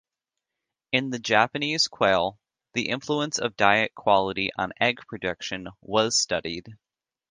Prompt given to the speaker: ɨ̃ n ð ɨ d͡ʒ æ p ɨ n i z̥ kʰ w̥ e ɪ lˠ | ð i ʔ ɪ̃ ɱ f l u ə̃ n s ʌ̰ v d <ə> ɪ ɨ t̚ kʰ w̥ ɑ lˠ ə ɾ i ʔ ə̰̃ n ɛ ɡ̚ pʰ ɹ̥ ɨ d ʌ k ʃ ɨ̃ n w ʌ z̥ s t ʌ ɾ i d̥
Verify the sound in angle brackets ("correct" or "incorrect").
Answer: incorrect